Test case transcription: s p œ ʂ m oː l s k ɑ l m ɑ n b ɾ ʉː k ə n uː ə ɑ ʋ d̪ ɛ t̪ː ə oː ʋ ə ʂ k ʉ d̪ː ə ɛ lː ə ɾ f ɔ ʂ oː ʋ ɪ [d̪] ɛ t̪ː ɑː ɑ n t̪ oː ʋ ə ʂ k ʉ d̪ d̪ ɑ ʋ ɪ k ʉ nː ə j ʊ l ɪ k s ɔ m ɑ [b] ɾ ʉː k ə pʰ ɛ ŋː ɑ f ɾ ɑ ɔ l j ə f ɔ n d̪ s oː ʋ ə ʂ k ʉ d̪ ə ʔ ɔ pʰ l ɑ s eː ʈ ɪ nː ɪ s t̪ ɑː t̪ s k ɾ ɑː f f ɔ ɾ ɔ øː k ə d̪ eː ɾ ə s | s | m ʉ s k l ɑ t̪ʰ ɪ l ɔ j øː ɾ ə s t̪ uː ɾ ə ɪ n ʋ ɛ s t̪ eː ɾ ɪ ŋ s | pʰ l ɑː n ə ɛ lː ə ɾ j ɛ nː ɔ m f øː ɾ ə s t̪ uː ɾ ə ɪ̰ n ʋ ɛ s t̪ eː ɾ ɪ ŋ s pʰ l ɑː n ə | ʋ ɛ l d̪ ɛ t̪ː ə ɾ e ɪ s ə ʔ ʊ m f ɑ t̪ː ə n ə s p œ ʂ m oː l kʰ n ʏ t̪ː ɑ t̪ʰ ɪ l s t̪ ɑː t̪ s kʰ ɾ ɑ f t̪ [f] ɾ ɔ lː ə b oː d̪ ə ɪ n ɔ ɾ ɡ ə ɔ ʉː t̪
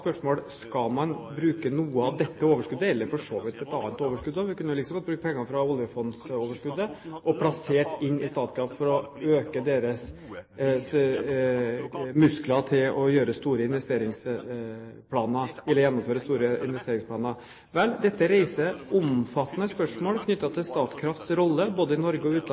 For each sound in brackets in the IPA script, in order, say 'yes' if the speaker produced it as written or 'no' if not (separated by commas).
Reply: no, yes, no